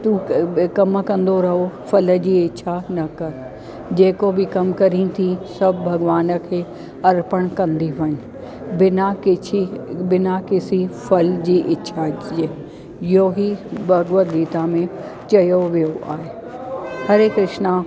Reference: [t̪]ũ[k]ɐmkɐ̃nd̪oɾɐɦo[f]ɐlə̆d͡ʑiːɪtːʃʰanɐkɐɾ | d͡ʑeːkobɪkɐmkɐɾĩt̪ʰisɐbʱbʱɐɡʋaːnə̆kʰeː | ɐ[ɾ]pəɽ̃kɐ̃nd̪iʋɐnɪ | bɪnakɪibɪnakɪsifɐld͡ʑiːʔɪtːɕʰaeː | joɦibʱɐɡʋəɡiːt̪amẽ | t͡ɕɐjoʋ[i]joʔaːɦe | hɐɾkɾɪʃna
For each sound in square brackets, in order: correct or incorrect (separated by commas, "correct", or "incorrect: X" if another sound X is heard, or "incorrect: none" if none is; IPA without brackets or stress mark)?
correct, correct, correct, correct, correct